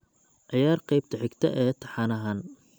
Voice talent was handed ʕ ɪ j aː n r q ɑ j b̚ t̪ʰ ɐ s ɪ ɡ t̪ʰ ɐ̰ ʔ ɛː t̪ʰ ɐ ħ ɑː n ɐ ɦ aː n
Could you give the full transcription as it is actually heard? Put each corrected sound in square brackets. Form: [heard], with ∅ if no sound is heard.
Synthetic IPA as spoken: ʕ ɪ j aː [∅] r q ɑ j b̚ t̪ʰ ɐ [ħ] ɪ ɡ t̪ʰ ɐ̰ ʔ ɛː t̪ʰ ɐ ħ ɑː n ɐ ɦ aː n